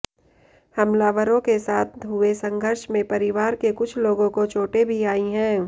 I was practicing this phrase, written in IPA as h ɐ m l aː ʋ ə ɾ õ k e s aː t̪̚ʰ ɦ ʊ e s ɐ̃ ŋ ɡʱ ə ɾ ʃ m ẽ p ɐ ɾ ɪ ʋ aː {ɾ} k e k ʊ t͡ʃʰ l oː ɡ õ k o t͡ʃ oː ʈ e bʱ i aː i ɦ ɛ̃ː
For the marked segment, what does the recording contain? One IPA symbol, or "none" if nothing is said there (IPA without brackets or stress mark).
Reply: ɾ